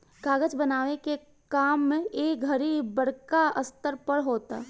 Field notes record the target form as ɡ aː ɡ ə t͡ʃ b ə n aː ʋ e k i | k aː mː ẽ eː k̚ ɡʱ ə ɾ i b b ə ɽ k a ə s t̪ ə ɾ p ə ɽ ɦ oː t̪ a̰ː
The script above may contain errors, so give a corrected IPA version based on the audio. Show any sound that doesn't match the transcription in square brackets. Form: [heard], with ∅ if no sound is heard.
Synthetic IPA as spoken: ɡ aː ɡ ə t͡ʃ b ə n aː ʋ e k [e] | k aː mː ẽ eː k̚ ɡʱ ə ɾ i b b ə ɽ k a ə s t̪ ə ɾ p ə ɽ ɦ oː t̪ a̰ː